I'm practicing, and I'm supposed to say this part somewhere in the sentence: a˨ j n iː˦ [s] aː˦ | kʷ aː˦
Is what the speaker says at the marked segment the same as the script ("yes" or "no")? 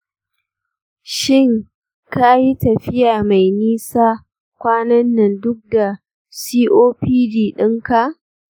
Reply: yes